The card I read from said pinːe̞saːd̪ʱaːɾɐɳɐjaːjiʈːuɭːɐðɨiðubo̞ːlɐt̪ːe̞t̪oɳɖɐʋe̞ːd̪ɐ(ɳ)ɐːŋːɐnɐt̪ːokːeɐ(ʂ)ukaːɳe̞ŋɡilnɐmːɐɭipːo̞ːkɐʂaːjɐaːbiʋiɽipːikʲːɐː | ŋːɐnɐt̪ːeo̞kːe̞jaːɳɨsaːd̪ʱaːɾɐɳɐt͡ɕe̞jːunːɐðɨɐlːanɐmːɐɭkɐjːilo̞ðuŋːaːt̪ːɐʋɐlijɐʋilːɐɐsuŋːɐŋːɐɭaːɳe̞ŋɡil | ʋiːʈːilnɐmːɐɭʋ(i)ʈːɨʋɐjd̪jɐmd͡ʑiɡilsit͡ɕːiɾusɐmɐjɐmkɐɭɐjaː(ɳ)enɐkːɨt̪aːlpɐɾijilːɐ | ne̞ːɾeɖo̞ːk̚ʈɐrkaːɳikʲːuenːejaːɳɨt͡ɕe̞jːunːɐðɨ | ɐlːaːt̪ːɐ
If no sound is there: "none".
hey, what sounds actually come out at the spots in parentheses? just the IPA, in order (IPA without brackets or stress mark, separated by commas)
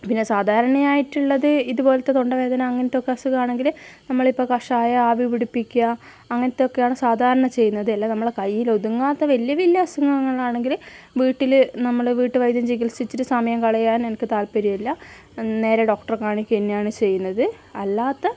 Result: n, s, iː, n